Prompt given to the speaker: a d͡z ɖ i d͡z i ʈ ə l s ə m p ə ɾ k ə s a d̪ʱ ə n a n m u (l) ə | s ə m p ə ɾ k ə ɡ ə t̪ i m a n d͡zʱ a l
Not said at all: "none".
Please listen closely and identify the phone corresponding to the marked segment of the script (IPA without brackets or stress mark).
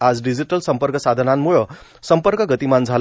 ɭ